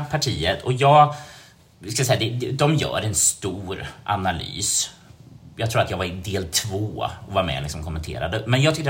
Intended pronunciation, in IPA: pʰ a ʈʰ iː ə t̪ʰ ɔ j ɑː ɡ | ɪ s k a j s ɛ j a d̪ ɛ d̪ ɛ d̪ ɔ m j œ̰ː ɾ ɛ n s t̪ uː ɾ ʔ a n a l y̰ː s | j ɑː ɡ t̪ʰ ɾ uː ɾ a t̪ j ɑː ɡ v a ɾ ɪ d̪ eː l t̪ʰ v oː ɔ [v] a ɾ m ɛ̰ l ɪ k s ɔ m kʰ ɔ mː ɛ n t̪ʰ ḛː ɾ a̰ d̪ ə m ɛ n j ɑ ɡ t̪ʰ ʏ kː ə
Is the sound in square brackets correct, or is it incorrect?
correct